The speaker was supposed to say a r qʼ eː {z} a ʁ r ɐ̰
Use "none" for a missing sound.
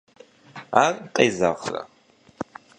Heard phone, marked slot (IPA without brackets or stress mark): z